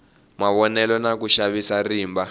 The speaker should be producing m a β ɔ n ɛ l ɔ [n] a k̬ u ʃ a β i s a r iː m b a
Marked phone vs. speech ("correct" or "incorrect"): correct